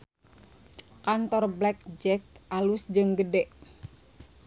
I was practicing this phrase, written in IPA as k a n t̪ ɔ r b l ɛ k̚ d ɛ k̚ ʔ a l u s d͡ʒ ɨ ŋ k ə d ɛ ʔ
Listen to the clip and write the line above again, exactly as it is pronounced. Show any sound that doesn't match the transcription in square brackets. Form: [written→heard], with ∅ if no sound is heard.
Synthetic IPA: k a n t̪ ɔ r b l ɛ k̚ [d→d͡ʒ] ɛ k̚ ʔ a l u s d͡ʒ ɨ ŋ [k→ɡ] ə d ɛ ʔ